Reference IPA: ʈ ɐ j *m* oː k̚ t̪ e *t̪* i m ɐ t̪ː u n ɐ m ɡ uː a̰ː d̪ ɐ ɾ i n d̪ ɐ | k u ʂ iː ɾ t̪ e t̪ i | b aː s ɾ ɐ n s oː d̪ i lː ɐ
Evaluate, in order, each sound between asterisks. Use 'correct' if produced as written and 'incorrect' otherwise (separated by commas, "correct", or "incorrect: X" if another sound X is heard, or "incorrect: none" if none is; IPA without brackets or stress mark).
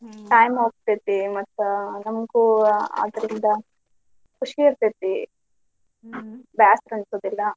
correct, correct